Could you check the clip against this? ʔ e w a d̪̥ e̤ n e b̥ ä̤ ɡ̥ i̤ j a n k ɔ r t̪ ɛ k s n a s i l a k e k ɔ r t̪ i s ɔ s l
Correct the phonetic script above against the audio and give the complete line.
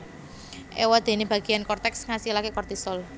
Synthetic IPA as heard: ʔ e w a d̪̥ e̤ n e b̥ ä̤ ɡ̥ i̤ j a n k ɔ r t̪ ɛ k s ŋ a s i l a k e k ɔ r t̪ i s ɔ l